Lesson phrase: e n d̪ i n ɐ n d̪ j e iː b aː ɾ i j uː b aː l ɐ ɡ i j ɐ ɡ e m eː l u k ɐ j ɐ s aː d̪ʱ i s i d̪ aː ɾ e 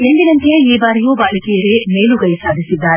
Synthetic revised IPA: e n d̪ i n ɐ n t̪ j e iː b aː ɾ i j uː b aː l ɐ k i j ɐ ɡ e m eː l u ɡ ɐ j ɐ s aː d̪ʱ i s i d̪ː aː ɾ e